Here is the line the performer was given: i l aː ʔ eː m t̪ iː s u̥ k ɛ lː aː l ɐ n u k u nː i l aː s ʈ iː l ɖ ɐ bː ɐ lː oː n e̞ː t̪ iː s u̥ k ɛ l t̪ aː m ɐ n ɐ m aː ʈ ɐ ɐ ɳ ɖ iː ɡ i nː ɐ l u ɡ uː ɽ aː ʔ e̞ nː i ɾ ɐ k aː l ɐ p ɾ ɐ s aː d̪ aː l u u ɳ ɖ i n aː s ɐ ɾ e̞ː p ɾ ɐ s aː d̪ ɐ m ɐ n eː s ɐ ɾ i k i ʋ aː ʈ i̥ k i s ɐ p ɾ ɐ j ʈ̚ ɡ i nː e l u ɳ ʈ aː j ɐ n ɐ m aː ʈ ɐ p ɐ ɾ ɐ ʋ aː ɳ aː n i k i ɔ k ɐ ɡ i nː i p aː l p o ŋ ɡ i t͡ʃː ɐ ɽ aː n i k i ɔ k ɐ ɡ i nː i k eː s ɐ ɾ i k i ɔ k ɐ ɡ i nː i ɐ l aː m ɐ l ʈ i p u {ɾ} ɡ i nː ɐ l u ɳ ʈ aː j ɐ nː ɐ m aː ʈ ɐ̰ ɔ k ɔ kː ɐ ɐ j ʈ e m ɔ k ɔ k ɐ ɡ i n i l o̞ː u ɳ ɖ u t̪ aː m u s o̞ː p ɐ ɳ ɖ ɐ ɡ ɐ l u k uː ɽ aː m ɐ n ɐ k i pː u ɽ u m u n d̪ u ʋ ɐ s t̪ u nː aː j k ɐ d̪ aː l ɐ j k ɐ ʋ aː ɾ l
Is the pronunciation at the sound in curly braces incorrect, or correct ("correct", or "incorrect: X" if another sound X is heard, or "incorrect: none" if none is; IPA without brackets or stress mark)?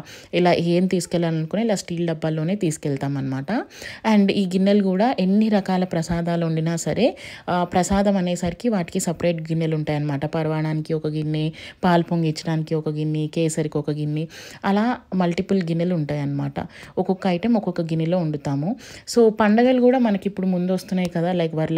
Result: incorrect: l